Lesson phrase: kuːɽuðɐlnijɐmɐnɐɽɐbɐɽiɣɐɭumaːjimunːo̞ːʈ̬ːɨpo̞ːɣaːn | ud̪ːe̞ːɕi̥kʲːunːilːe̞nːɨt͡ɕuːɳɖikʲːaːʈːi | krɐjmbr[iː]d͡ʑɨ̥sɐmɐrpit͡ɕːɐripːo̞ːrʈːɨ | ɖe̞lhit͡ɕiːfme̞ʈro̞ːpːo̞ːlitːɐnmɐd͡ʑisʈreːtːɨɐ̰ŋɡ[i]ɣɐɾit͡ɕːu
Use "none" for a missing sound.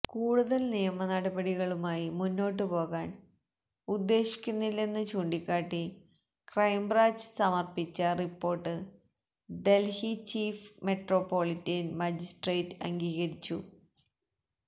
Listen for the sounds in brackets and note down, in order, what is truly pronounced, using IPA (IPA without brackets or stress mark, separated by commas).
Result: aː, iː